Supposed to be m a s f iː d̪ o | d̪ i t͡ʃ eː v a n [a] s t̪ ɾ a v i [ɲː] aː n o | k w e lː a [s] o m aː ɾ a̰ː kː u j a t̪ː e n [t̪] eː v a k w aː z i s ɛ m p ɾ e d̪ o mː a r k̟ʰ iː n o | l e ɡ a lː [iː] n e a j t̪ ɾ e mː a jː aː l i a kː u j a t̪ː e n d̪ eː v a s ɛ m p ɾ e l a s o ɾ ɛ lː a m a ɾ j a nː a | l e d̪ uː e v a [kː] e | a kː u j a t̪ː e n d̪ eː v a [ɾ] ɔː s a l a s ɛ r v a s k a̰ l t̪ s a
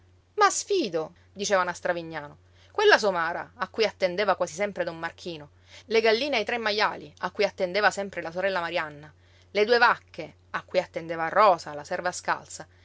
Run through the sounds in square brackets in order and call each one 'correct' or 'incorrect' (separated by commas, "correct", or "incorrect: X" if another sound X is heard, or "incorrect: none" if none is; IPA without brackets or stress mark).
correct, correct, correct, incorrect: d̪, correct, correct, incorrect: r